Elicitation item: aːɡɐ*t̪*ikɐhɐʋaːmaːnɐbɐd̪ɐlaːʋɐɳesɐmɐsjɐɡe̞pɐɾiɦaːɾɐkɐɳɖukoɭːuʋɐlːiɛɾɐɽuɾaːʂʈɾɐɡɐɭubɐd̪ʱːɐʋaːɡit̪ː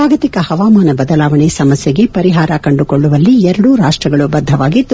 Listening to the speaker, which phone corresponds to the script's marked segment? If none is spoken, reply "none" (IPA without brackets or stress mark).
t̪